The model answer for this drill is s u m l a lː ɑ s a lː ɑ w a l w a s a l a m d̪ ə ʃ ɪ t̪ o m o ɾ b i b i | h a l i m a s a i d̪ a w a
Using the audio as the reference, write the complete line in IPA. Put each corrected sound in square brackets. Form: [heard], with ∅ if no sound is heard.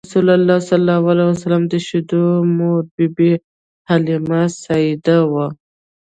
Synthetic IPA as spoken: s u [∅] l a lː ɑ s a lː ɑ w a l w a s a l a m d̪ ə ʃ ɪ [d̪] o m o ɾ b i b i | h a l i m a s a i d̪ a w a